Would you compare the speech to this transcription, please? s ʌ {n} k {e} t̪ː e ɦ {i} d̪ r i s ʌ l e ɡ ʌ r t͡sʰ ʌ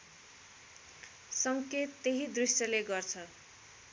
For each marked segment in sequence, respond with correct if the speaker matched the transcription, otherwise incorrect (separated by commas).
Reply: incorrect, correct, correct